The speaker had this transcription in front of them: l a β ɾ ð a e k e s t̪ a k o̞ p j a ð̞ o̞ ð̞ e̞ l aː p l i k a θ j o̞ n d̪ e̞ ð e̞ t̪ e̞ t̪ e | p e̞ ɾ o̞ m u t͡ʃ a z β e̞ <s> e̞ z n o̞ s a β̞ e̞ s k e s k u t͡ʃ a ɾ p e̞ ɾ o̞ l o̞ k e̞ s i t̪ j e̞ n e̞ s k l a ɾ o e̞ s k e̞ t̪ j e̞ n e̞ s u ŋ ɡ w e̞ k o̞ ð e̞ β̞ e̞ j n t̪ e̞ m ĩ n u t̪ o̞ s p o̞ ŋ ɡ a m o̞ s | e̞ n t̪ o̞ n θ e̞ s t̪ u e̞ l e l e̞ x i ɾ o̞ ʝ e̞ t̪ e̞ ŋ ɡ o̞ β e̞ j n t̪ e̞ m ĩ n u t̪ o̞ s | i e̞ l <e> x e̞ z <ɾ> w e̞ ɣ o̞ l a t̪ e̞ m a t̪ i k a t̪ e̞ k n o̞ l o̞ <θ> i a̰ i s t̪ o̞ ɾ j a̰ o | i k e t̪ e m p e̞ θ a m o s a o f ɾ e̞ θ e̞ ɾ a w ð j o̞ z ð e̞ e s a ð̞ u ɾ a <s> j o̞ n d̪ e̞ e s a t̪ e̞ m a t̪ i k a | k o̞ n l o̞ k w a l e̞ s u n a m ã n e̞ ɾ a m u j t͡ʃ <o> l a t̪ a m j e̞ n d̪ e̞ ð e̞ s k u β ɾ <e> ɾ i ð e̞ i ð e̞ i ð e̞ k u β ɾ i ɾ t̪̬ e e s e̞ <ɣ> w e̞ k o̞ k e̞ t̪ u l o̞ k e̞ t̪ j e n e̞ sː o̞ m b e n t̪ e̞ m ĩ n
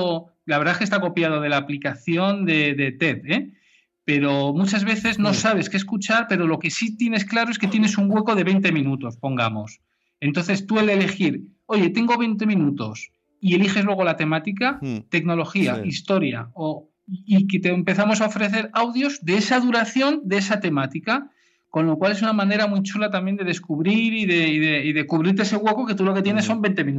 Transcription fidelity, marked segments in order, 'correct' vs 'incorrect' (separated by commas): incorrect, incorrect, incorrect, incorrect, incorrect, incorrect, incorrect, correct